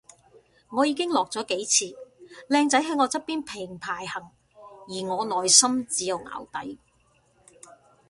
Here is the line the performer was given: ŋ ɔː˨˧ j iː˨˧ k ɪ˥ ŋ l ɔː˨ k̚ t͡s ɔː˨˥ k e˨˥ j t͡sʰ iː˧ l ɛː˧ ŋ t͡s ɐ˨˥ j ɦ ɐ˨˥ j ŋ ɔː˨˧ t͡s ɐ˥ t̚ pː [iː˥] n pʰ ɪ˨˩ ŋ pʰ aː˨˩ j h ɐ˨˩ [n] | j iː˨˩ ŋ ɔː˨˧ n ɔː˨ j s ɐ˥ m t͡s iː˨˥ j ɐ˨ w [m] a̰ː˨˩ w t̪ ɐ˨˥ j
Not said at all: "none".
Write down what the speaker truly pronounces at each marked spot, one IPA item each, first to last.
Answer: iː˥, ŋ, ŋ

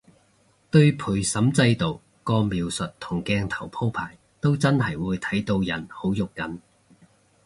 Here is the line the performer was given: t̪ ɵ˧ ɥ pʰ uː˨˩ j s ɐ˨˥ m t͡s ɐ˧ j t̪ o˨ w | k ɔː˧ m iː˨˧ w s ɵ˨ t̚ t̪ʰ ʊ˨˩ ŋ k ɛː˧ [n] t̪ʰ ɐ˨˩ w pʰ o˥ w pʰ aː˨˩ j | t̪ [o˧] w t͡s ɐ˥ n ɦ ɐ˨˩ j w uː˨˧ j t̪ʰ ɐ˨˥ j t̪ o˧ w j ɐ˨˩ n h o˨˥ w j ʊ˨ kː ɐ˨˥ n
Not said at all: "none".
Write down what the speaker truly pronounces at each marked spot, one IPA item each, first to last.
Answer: ŋ, o˥

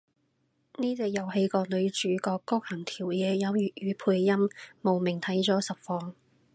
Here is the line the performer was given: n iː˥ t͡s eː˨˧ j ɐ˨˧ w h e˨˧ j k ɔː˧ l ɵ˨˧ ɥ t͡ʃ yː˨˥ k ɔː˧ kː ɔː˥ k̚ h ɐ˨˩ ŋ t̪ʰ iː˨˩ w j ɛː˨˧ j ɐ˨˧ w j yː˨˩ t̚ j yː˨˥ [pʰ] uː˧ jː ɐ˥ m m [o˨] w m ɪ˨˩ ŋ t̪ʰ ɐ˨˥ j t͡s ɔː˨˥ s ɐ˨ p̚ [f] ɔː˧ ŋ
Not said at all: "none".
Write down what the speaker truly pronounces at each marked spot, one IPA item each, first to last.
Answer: pʰ, o˨, f

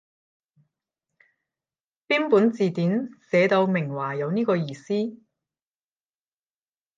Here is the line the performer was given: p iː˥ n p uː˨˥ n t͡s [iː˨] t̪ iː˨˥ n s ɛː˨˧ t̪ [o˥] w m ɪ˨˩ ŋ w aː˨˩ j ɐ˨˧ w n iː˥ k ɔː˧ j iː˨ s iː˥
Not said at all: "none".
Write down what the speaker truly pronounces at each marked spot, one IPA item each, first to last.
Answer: iː˨, o˧

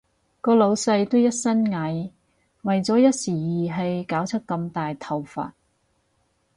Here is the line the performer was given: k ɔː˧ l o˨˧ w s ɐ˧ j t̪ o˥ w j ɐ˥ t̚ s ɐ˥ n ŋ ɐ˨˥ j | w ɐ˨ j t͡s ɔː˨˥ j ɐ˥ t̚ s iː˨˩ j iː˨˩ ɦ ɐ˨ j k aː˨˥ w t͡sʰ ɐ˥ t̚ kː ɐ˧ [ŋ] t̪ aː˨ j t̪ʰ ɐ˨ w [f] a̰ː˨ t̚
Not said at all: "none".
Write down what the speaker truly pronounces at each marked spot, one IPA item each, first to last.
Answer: m, f

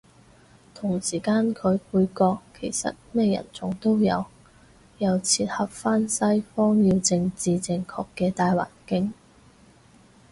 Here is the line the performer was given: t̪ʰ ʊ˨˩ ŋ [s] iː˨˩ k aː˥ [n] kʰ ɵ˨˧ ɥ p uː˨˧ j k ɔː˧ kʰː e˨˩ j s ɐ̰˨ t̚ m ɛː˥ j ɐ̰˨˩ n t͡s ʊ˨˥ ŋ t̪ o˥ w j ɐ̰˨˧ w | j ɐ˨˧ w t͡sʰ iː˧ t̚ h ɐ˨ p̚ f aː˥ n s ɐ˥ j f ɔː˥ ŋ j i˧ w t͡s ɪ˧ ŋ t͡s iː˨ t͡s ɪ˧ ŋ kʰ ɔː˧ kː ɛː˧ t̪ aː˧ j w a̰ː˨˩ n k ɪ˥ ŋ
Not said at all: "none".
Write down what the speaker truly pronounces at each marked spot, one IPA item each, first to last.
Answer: s, n

